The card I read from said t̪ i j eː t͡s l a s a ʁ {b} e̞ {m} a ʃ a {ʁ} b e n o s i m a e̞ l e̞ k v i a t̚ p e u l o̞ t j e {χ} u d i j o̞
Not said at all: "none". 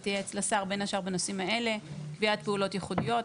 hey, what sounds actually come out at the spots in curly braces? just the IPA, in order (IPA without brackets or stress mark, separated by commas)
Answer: b, n, ʁ, χ